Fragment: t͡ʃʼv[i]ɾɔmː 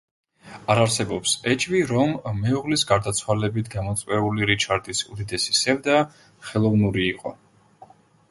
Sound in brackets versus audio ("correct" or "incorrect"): correct